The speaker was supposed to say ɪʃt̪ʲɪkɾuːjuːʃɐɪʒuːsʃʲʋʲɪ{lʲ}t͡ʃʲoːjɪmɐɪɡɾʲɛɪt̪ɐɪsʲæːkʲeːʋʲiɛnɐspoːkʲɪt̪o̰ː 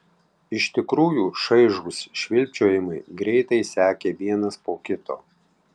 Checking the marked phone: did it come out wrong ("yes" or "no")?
no